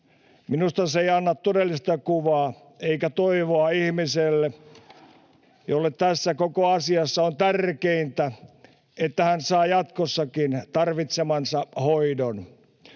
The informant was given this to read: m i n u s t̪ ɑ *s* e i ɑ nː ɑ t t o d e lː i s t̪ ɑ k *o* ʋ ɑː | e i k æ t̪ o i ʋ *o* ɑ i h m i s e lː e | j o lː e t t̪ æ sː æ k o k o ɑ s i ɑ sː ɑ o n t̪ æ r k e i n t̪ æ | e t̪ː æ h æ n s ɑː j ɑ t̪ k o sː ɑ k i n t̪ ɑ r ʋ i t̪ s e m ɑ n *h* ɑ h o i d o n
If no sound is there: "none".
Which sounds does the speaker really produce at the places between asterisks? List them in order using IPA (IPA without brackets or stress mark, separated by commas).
s, u, o, s